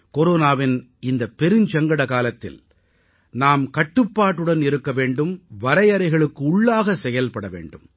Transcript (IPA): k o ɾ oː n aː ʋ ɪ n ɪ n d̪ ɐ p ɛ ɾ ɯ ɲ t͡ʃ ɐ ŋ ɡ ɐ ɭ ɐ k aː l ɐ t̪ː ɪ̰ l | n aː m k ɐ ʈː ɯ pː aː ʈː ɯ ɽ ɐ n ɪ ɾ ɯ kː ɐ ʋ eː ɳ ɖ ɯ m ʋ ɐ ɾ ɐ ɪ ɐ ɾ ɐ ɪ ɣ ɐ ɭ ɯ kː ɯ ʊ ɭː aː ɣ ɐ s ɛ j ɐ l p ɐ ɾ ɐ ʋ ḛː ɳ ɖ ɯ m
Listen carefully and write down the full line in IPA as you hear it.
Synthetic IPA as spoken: k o ɾ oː n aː ʋ ɪ n ɪ n d̪ ɐ p ɛ ɾ ɯ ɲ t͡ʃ ɐ ŋ ɡ ɐ ɽ ɐ k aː l ɐ t̪ː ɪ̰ l | n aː m k ɐ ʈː ɯ pː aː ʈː ɯ ɽ ɐ n ɪ ɾ ɯ kː ɐ ʋ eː ɳ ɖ ɯ m ʋ ɐ ɾ ɐ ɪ ɐ ɾ ɐ ɪ ɣ ɐ ɭ ɯ kː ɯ ʊ ɭː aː ɣ ɐ s ɛ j ɐ l p ɐ ɽ ɐ ʋ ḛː ɳ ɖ ɯ m